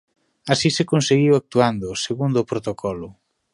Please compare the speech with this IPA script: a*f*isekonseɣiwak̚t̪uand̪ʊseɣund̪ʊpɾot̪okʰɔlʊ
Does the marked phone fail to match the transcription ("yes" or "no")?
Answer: yes